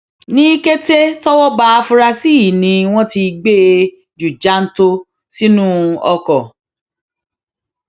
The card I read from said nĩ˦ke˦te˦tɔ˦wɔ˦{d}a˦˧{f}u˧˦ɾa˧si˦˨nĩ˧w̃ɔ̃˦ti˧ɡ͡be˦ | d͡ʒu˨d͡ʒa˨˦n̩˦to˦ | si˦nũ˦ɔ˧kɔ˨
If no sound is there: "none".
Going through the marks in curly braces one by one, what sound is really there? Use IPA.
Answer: b, f

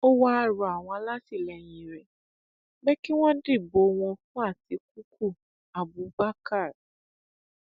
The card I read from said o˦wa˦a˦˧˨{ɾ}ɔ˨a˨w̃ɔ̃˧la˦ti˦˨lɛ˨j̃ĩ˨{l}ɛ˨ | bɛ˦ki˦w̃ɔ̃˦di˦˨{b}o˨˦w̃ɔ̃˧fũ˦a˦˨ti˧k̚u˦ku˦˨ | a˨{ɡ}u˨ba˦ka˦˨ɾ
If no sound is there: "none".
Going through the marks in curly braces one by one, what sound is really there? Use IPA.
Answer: ɾ, ɾ, b, b

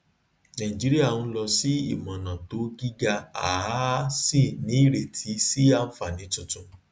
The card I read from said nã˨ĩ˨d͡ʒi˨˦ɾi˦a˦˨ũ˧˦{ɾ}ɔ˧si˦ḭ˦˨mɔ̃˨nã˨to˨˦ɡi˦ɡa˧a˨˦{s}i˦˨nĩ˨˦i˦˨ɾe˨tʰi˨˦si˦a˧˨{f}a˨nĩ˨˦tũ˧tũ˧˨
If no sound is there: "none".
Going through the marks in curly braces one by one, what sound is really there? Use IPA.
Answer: l, s, f

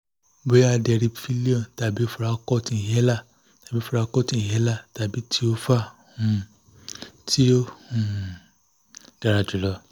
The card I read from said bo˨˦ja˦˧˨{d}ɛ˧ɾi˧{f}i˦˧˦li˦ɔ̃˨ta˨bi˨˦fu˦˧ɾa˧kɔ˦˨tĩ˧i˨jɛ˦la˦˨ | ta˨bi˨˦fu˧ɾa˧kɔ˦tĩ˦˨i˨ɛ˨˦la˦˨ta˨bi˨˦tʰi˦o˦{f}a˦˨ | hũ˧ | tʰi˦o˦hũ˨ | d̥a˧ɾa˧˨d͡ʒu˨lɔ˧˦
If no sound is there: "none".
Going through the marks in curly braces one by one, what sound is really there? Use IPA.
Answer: d, f, f

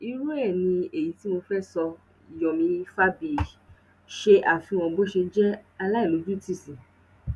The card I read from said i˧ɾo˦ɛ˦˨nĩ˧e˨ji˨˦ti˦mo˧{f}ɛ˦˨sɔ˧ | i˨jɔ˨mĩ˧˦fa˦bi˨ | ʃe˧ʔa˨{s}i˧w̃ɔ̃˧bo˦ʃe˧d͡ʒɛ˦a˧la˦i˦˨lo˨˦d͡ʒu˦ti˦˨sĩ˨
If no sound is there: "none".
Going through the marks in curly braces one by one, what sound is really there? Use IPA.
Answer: f, f

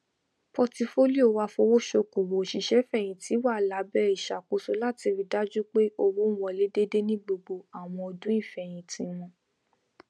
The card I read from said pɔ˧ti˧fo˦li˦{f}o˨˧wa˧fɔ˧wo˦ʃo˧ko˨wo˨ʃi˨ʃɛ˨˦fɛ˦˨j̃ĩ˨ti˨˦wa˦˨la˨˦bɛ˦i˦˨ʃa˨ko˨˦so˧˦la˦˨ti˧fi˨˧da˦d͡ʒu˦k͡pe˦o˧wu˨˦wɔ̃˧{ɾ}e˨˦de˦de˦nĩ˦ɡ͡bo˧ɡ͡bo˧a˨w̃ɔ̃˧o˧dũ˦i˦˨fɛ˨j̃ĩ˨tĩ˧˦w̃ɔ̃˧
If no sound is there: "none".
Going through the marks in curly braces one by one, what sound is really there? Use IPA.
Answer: none, l

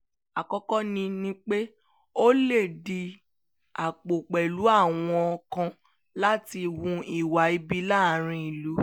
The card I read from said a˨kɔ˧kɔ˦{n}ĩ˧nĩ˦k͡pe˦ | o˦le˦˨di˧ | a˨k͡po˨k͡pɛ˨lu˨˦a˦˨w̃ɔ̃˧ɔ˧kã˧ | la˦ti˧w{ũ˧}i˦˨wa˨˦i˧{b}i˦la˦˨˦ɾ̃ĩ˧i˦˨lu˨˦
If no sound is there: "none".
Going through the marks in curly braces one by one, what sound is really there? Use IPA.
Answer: n, ũ˧, b

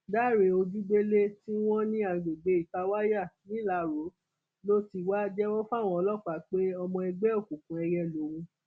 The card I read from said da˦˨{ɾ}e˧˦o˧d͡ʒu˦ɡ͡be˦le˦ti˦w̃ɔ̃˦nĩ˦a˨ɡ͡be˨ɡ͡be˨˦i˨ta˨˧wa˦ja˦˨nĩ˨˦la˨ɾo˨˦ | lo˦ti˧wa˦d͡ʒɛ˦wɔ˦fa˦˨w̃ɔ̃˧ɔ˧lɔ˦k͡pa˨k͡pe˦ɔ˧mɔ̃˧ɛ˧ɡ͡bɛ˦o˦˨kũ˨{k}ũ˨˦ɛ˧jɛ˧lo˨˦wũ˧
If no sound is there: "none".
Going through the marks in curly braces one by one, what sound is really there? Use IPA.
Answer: ɾ, k

